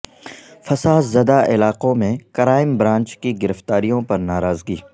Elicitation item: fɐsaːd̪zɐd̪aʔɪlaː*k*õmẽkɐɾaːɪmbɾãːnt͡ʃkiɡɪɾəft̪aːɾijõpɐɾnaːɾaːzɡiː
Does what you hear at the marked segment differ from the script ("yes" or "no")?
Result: yes